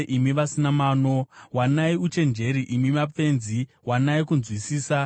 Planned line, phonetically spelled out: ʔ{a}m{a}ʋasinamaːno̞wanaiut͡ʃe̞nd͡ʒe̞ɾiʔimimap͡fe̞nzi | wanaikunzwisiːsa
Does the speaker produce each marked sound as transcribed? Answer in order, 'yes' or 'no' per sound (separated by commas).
no, no